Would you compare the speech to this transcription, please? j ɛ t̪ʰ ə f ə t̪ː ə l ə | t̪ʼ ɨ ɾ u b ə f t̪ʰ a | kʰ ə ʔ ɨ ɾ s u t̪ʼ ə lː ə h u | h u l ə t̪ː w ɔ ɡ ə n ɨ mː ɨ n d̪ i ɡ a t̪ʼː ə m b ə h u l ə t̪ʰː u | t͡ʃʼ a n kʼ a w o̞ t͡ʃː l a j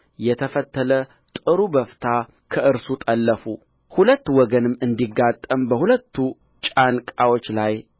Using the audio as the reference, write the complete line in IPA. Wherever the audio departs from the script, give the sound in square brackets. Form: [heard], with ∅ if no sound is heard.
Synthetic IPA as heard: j ɛ t̪ʰ ə f ə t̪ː ə l ə | t̪ʼ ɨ ɾ u b ə f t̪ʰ a | kʰ ə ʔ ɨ ɾ s u t̪ʼ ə lː ə [f] u | h u l ə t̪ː w ɔ ɡ ə n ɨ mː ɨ n d̪ i ɡ a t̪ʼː ə m b ə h u l ə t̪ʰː u | t͡ʃʼ a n kʼ a w o̞ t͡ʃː l a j